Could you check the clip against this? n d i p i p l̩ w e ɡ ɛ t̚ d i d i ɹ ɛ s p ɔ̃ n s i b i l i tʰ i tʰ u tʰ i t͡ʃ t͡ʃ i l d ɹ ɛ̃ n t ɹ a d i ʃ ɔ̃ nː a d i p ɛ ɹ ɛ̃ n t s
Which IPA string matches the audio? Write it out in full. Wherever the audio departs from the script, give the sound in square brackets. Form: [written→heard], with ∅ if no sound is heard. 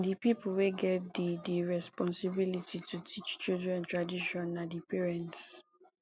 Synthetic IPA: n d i p i p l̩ w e ɡ ɛ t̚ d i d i ɹ ɛ s p ɔ̃ n s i b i l i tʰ i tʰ u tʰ i t͡ʃ t͡ʃ i l d ɹ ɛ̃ n t ɹ a d i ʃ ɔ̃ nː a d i p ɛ ɹ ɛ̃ n t s